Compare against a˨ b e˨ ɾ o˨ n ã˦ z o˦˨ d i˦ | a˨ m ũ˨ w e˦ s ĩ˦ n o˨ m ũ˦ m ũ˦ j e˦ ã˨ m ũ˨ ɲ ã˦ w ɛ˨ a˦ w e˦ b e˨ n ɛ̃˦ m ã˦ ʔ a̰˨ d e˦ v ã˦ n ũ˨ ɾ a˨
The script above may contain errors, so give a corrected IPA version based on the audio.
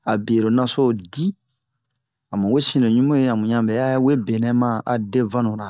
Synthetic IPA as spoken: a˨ b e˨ ɾ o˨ n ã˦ s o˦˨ d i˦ | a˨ m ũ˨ w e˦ s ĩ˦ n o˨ ɲ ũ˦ m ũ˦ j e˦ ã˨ m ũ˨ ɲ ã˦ b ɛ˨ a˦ w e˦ b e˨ n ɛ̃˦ m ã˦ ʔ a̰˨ d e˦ v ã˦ n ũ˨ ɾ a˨